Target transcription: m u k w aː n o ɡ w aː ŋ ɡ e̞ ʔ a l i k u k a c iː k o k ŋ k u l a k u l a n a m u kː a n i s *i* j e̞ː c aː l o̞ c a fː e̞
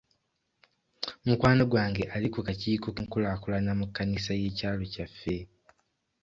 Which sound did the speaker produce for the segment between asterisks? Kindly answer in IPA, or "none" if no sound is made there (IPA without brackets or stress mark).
a